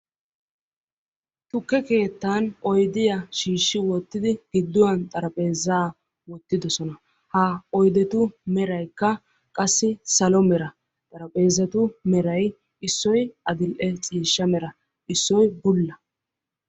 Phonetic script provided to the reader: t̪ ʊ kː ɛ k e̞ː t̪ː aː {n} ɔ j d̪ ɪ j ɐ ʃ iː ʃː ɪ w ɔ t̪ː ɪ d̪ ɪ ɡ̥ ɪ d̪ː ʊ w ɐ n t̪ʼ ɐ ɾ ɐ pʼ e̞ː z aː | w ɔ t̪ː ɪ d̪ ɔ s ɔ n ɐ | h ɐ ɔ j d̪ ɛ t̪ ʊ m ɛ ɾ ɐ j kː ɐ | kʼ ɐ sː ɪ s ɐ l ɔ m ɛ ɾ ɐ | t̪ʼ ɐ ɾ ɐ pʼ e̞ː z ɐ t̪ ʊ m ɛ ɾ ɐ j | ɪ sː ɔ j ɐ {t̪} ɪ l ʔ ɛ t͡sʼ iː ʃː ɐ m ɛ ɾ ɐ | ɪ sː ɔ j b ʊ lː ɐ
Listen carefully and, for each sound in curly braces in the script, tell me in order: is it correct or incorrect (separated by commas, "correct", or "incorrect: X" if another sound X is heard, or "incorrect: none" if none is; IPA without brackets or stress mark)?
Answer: correct, incorrect: d̪